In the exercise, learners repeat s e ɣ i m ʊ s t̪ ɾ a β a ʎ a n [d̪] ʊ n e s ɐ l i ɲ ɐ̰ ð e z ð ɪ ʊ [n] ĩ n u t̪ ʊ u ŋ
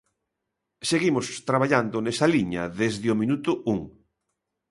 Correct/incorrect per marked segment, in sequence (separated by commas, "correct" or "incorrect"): correct, incorrect